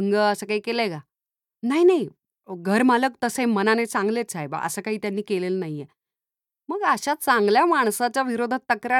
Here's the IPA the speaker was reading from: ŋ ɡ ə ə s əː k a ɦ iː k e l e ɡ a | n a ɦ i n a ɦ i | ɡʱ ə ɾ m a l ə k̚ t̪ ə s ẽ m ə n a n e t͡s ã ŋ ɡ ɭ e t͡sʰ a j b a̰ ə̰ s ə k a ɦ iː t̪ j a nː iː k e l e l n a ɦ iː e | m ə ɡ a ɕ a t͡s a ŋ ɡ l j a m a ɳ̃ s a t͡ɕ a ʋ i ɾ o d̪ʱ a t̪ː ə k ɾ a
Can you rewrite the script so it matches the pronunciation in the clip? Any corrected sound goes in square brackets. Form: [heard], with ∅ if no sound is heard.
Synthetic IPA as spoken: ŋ ɡ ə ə s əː k a ɦ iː k e l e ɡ a | n a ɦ i n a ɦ i | ɡʱ ə ɾ m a l ə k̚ t̪ ə s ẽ m ə n a n e t͡s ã ŋ ɡ [l] e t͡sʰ a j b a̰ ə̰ s ə k a ɦ iː t̪ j a nː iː k e l e l n a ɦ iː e | m ə ɡ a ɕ a t͡s a ŋ ɡ l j a m a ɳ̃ s a t͡ɕ a ʋ i ɾ o d̪ʱ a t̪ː ə k ɾ a